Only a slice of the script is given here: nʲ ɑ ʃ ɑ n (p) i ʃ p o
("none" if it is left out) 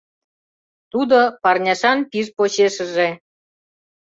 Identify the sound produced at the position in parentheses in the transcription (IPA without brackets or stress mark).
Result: p